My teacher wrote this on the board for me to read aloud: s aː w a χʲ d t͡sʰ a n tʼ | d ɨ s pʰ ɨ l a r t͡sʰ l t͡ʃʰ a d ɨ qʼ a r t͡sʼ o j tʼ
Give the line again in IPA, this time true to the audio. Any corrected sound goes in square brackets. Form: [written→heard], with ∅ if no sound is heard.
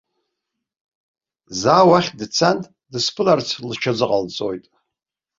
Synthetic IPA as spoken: [s→z] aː w a χʲ d t͡sʰ a n tʼ | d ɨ s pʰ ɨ l a r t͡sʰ l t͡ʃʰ a [d→d͡z] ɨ qʼ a [r→l] t͡sʼ o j tʼ